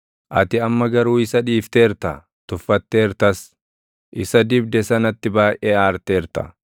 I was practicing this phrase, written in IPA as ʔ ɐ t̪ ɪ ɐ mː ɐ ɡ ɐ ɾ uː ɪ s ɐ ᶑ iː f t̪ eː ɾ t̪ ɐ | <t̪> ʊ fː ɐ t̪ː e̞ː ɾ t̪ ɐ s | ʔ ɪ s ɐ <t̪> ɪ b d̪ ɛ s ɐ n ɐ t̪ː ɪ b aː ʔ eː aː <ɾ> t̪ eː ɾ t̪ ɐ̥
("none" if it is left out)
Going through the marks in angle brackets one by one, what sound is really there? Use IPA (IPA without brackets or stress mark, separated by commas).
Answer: t̪, d̪, ɾ